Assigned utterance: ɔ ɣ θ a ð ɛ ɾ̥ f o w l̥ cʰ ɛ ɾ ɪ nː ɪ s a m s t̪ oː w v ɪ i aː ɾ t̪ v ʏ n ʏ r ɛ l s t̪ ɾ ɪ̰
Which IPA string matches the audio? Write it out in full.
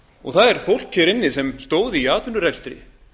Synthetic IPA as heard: ɔ ɣ θ a ð ɛ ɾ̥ f o w l̥ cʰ ɛ ɾ ɪ nː ɪ s ɛ m s t̪ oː w ð ɪ i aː t̪ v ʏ n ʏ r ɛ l s t̪ ɾ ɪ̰